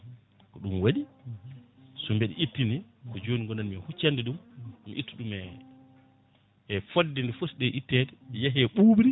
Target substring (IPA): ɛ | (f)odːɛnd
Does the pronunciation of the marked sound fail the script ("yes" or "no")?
no